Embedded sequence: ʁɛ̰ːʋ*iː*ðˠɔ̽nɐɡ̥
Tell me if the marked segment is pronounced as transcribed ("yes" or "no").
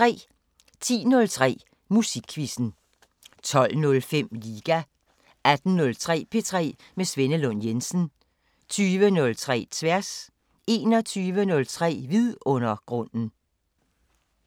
no